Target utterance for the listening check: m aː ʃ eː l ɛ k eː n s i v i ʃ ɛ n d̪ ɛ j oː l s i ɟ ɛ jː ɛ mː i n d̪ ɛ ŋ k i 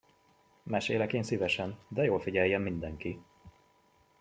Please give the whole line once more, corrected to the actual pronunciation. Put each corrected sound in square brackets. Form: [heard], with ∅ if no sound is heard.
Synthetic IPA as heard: m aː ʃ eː l ɛ k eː n s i v [ɛ] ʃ ɛ n d̪ ɛ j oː l [f] i ɟ ɛ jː ɛ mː i n d̪ ɛ ŋ k i